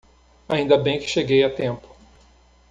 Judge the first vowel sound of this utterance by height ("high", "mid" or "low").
low